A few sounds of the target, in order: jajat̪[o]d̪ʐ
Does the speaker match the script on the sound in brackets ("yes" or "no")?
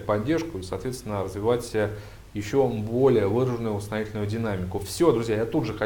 no